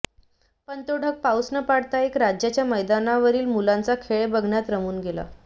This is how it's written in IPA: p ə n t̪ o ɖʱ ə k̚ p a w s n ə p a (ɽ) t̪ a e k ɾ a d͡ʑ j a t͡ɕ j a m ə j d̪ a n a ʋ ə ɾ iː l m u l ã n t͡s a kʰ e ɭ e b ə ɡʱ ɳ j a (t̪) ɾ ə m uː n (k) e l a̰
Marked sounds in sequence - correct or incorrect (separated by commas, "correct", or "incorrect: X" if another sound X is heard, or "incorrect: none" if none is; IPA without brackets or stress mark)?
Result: correct, correct, incorrect: ɡ